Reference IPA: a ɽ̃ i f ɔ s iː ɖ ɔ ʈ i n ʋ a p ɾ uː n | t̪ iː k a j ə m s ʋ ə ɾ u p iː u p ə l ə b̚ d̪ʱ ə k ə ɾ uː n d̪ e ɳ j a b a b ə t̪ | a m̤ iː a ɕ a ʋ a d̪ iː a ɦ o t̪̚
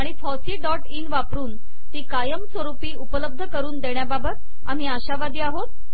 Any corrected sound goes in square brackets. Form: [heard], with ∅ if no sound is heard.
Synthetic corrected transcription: a ɽ̃ i f ɔ s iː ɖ ɔ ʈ i n ʋ a p ɾ uː n | t̪ iː k a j ə m s ʋ ə ɾ u p iː u p ə l ə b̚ d̪ʱ ə k ə ɾ uː n d̪ e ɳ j a b a b ə t̪ | a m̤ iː a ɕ a ʋ a d̪ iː a ɦ o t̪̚